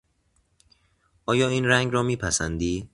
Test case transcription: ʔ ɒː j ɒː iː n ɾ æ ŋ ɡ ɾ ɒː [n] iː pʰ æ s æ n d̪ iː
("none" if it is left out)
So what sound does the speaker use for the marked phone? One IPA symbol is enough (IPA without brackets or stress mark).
m